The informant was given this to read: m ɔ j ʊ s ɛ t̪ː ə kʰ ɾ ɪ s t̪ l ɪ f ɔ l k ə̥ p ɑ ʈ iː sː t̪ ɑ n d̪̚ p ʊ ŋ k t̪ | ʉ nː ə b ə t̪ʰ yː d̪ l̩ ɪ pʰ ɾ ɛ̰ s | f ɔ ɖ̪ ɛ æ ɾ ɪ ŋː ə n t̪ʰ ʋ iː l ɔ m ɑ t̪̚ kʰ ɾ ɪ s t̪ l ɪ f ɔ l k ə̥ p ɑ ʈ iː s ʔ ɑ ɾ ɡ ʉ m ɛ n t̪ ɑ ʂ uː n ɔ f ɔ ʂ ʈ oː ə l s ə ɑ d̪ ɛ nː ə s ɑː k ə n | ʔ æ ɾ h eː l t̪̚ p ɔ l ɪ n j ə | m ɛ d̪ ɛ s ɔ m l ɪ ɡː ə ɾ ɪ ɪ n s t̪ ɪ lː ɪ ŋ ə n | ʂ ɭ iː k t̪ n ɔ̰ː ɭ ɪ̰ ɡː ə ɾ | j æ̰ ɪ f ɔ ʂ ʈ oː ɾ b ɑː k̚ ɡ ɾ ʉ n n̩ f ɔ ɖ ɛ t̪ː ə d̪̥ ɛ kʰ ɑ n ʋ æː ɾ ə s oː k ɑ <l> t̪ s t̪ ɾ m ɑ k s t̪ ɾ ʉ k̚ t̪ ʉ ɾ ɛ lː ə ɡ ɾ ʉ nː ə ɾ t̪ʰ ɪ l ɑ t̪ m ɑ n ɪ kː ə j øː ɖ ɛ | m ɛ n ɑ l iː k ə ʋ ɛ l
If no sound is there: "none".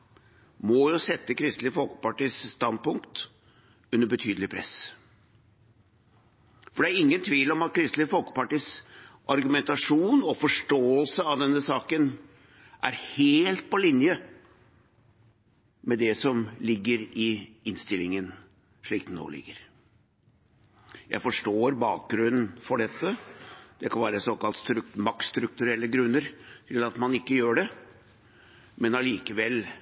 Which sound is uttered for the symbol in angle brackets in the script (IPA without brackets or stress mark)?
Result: l